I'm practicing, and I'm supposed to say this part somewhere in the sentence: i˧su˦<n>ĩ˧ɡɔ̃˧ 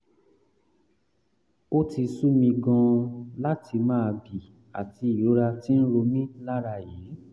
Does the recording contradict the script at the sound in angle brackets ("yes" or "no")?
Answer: yes